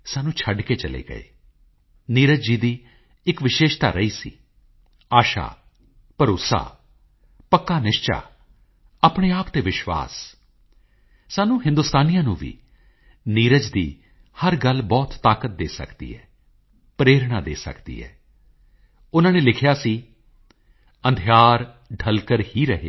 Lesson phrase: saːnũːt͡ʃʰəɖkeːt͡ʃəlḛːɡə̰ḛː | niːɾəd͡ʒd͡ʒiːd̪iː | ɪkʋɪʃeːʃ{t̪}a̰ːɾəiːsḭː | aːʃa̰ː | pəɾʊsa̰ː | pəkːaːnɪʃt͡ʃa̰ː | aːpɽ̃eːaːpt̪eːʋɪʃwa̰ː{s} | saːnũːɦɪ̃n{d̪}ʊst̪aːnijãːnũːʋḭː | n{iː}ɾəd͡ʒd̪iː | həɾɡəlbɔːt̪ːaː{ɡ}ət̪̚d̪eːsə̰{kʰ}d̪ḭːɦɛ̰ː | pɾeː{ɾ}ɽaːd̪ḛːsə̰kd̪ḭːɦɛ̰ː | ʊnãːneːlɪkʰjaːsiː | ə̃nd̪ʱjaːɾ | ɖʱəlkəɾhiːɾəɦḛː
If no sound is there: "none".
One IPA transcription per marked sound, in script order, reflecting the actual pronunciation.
t̪, s, d̪, iː, k, k, ɾ

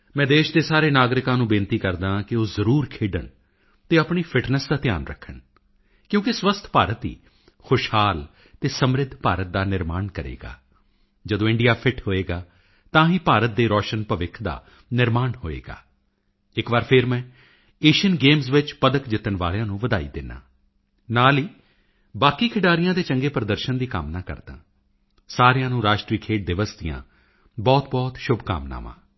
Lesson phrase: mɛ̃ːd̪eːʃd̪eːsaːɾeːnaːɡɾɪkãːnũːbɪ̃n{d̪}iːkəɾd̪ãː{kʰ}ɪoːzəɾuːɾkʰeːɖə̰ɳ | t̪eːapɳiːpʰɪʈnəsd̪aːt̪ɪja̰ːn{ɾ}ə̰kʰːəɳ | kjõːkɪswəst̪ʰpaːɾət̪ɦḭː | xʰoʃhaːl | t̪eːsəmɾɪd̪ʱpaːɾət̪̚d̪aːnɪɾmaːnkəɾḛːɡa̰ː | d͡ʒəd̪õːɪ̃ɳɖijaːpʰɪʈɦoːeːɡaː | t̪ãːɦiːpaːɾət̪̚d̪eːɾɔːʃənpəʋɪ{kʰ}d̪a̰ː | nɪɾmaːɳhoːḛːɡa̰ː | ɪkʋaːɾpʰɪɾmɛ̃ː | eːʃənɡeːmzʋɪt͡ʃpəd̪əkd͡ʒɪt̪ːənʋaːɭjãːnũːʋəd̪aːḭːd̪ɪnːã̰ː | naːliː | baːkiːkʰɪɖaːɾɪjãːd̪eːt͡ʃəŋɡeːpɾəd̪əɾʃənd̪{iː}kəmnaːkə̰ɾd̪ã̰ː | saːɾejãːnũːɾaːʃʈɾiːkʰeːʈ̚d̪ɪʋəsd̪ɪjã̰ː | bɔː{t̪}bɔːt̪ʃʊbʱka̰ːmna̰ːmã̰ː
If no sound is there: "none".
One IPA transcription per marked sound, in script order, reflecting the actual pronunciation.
t̪, k, ɾ, kʰ, iː, t̪

